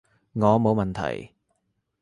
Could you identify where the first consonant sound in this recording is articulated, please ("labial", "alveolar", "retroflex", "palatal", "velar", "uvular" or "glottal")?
velar